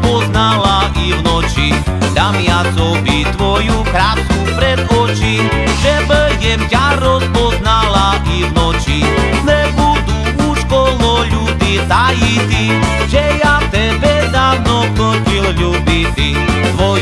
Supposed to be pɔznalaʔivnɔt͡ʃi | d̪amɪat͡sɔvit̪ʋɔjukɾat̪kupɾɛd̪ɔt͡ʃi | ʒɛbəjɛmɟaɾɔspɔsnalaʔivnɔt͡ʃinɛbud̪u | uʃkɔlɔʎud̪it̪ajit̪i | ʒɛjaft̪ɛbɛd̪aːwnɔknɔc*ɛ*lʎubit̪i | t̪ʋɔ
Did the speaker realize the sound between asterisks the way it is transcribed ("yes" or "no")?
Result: no